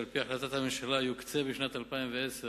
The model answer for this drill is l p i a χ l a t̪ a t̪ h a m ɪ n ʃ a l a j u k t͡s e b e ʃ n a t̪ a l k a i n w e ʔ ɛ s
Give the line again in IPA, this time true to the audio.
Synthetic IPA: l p i a ħ l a t̪ a t̪ h a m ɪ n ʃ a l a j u k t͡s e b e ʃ n a t̪ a l p a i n v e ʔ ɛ s

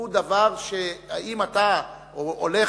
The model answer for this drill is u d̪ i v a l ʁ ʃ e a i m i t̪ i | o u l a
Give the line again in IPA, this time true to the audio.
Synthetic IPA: u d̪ a v a ʁ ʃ e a i m a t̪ a | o o l e

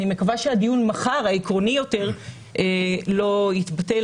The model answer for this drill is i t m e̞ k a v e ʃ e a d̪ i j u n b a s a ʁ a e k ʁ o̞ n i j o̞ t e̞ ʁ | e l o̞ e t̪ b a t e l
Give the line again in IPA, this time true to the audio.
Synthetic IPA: i m e̞ k a v a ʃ e a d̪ i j u n m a χ a ʁ a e k ʁ o̞ n i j o̞ t e̞ ʁ | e l o̞ i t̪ b a t e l

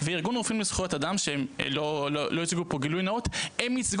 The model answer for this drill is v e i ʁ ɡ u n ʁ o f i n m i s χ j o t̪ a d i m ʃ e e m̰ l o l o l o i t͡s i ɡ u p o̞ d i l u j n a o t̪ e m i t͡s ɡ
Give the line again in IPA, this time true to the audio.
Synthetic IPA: v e i ʁ ɡ u n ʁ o f i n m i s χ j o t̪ a d a m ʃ e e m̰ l o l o l o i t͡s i ɡ u p o̞ ɡ i l u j n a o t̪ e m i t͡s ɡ

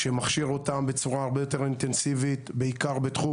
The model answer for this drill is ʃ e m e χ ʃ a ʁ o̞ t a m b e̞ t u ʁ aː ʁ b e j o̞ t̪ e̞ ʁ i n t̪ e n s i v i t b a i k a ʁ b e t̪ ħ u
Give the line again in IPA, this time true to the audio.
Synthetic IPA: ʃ e m a χ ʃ i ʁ o̞ t a m b e̞ t͡s u ʁ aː ʁ b e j o̞ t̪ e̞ ʁ i n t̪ e n s i v i t b e i k a ʁ b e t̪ χ u

